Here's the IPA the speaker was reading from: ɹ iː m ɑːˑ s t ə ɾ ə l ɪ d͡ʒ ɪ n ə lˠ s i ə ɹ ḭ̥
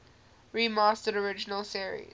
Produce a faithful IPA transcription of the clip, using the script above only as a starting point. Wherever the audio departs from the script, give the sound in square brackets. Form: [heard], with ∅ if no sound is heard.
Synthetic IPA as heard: ɹ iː m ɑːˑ s t ə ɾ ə [ɹ] ɪ d͡ʒ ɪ n ə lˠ s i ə ɹ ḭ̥

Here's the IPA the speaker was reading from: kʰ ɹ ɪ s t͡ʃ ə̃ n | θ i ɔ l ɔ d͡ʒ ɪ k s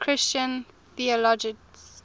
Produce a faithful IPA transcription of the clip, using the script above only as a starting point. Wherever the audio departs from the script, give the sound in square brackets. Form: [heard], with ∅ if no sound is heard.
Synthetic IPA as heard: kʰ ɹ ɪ s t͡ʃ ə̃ n | θ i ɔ l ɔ d͡ʒ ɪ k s

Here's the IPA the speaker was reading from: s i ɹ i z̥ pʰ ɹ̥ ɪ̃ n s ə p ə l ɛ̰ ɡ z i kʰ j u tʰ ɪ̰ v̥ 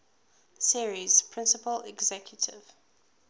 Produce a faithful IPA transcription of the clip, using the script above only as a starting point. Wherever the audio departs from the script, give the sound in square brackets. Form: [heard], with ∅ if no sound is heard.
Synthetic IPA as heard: s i ɹ i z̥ pʰ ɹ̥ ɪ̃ n s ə p ə l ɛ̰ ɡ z [ɛ] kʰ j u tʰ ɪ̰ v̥

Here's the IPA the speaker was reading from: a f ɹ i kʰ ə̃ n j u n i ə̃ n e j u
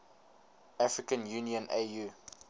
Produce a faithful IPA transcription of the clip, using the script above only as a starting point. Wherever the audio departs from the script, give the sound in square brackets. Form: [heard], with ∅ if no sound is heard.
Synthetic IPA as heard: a f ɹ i [k] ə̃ n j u n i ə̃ n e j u

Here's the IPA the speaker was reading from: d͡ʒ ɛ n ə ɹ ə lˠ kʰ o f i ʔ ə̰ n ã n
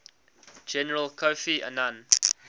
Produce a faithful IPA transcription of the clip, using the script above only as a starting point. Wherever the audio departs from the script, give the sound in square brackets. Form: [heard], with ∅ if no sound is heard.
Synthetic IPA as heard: d͡ʒ ɛ n ə ɹ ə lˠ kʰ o f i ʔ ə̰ n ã n

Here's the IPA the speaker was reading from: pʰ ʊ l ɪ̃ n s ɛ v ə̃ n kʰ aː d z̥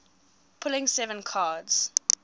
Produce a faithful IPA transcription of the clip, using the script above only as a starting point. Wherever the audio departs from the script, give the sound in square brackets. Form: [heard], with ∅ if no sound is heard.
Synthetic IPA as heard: pʰ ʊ l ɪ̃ [ŋ] s ɛ v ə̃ n kʰ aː d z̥

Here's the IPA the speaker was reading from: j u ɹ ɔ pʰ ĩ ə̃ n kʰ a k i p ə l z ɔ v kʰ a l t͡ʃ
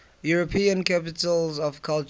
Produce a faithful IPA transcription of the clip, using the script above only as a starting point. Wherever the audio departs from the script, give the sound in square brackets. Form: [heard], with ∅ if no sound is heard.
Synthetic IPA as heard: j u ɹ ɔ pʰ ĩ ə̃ n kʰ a [p] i [t] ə l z ɔ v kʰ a l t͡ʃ

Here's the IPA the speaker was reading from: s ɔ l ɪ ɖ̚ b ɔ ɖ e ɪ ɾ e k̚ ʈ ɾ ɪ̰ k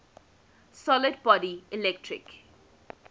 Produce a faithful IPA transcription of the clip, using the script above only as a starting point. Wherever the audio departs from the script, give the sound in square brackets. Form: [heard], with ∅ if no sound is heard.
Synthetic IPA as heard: s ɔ l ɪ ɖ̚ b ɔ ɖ [i] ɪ [l] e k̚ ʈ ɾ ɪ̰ k

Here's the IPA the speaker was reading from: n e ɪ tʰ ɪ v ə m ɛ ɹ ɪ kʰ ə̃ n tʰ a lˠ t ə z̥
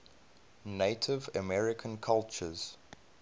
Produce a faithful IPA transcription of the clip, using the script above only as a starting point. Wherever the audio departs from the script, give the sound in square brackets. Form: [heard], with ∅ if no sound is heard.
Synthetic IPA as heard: n e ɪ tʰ ɪ v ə m ɛ ɹ ɪ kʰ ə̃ n [kʰ] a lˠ [t͡ʃ] ə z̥

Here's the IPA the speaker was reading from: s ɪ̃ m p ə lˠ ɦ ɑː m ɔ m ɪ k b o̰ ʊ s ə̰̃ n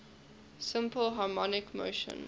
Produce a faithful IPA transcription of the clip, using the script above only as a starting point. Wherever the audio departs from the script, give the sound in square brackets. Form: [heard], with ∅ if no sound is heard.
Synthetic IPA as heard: s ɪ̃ m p ə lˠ ɦ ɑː m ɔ [n] ɪ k [m] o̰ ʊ [ʃ] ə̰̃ n

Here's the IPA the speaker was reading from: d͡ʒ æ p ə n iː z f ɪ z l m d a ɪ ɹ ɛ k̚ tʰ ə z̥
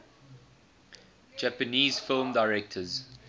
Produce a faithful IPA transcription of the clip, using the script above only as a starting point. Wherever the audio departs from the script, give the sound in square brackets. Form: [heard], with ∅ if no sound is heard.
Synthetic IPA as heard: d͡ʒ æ p ə n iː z f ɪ [∅] l m d a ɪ ɹ ɛ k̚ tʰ ə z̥

